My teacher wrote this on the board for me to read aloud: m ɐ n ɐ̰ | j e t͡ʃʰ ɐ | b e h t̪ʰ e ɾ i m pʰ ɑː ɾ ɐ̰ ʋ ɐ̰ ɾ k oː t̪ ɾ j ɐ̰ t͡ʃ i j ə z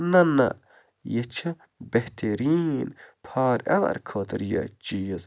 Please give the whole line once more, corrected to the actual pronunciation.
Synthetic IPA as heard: n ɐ n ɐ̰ | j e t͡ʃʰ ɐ | b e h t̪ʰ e ɾ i n pʰ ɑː ɾ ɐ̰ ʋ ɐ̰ ɾ kʰ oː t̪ ɾ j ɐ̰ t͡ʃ i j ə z